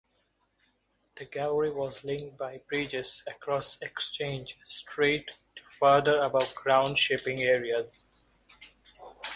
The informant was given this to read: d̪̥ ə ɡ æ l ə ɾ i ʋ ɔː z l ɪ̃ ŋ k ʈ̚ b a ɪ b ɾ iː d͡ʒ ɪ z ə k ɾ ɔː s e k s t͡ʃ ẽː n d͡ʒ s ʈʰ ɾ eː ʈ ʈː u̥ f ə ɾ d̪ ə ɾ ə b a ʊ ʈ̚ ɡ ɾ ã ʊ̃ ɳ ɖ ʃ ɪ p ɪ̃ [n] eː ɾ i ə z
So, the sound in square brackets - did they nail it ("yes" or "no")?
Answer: no